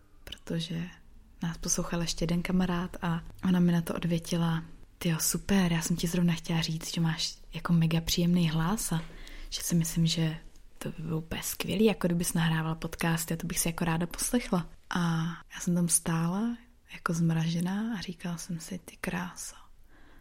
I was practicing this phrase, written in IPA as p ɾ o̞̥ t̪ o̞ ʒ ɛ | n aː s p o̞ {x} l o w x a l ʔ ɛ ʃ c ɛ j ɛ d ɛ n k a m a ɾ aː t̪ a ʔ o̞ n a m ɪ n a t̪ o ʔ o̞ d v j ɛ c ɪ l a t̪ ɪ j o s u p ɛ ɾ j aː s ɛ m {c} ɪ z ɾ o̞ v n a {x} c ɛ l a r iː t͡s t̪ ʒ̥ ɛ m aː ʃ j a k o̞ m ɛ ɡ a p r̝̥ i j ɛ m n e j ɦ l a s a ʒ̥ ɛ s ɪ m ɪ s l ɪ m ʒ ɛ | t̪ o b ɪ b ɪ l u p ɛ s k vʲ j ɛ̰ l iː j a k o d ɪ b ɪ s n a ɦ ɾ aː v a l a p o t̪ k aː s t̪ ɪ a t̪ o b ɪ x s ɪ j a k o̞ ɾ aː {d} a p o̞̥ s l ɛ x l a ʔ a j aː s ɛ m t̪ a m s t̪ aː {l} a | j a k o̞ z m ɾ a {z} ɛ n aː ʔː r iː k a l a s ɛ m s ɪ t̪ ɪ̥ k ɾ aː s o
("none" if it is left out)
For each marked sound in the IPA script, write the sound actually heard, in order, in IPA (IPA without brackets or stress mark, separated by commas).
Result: s, c, x, d, l, ʒ